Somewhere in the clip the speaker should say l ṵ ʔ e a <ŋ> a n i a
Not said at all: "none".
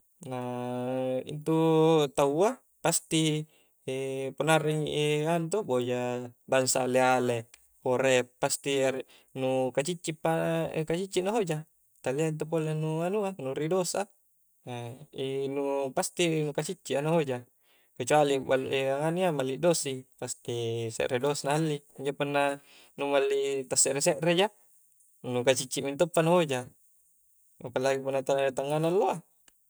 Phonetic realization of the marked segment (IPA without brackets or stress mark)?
ŋ